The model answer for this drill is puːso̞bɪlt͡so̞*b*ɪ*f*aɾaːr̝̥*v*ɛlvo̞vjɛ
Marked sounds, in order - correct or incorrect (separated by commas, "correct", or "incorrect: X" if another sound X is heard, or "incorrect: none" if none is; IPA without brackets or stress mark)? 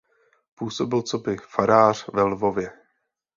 correct, correct, correct